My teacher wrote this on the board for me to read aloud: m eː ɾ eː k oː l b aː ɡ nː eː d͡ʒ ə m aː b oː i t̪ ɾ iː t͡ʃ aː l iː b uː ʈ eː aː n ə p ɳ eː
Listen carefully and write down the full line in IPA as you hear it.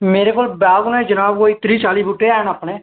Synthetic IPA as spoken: m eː ɾ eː k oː l b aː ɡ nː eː d͡ʒ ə n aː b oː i t̪ ɾ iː t͡ʃ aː l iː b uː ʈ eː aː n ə p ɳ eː